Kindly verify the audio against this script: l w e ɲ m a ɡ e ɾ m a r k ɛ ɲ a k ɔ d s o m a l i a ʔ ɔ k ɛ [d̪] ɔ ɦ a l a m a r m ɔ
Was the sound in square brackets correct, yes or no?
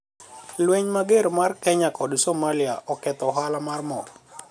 no